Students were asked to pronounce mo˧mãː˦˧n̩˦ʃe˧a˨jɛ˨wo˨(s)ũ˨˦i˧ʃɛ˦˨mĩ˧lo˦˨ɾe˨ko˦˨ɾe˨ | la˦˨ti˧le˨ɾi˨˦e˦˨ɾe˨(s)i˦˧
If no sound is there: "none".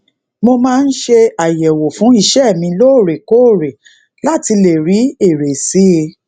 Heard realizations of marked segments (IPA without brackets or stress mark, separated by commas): f, s